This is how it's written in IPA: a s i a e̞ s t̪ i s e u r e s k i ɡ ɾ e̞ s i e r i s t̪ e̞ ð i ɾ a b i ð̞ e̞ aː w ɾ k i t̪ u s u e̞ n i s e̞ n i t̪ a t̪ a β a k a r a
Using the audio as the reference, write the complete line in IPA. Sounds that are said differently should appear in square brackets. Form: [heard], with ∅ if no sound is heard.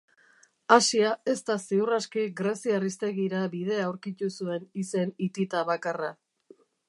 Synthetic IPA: a s i a e̞ s t̪ [a] s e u r [a] s k i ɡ ɾ e̞ s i [a] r i s t̪ e̞ [ɣ] i ɾ a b i ð̞ e̞ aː w ɾ k i t̪ u s u e̞ n i s e̞ n i t̪ [i] t̪ a β a k a r a

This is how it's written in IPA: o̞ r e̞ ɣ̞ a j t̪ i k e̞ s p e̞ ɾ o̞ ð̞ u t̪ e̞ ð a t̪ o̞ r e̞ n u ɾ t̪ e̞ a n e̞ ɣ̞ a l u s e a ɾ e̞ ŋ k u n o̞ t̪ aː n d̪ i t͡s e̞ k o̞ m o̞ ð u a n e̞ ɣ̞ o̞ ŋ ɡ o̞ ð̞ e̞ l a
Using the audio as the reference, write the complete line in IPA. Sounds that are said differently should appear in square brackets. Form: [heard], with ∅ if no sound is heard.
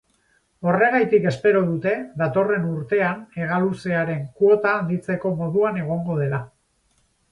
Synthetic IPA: o̞ r e̞ ɣ̞ a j t̪ i k e̞ s p e̞ ɾ o̞ ð̞ u t̪ e̞ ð a t̪ o̞ r e̞ n u ɾ t̪ e̞ a n e̞ ɣ̞ a l u s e a ɾ e̞ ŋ k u [∅] o̞ t̪ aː n d̪ i t͡s e̞ k o̞ m o̞ ð u a n e̞ ɣ̞ o̞ ŋ ɡ o̞ ð̞ e̞ l a

